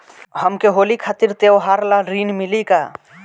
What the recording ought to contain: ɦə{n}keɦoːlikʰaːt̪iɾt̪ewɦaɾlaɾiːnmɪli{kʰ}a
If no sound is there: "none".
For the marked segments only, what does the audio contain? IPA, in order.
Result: m, k

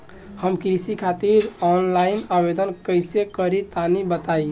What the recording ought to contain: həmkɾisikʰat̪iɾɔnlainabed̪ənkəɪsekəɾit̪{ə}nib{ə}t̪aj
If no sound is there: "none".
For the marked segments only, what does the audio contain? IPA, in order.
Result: a, ə

